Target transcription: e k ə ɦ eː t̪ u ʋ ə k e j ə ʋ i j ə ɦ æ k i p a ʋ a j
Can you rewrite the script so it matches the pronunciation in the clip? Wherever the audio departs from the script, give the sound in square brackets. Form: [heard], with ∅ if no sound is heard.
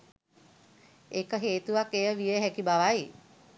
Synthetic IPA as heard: e k ə ɦ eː t̪ u ʋ [a] k e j ə ʋ i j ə ɦ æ k i [b] a ʋ a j